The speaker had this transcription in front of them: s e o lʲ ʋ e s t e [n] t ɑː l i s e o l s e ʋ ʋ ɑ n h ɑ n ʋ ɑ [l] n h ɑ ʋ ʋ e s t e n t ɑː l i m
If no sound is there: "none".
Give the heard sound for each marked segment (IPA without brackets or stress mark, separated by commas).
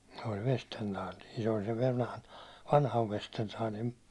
n, none